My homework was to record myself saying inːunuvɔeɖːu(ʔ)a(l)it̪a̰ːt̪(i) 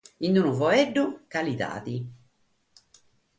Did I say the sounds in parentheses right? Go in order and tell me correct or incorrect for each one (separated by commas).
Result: incorrect, correct, correct